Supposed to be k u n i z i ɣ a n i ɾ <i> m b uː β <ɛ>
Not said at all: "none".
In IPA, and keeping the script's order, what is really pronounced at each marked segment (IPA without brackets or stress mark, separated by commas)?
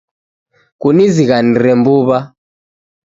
ɛ, a